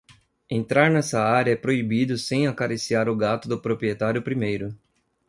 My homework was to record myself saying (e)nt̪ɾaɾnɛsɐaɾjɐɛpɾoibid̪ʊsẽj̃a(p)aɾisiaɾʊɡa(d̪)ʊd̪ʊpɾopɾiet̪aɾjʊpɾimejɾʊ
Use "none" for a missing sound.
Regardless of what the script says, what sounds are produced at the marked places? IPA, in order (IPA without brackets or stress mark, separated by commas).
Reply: ẽ, k, t̪